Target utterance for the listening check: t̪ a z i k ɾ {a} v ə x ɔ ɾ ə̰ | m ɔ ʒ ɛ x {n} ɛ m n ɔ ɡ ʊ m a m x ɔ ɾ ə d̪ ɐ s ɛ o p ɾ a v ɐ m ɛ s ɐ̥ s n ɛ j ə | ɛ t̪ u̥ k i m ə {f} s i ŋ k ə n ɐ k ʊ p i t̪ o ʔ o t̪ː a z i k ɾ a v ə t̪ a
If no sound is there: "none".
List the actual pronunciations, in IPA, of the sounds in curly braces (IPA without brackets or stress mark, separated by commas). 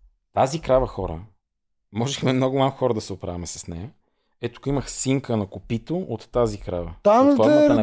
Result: a, m, x